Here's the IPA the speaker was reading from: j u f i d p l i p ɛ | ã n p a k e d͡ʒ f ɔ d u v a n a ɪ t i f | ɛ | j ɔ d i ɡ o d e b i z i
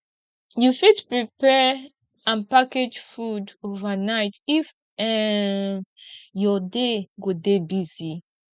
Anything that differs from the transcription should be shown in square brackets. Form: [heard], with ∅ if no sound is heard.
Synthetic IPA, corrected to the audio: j u f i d p [ɹ] i p ɛ | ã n p a k e d͡ʒ f [u] d [o] v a n a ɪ t i f | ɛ | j ɔ d [e] ɡ o d e b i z i